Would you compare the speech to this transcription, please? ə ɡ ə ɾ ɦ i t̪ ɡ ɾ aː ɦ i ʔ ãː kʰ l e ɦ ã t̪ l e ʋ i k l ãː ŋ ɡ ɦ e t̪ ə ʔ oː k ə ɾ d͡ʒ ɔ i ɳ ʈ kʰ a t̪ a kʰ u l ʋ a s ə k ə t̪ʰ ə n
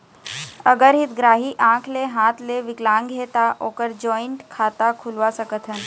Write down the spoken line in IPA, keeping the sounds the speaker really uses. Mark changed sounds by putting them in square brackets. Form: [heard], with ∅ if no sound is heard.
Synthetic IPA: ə ɡ ə ɾ ɦ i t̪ ɡ ɾ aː ɦ i ʔ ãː kʰ l e ɦ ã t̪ l e ʋ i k l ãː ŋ ɡ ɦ e t̪ [a] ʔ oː k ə ɾ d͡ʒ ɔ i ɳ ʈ kʰ a t̪ a kʰ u l ʋ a s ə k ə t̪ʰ ə n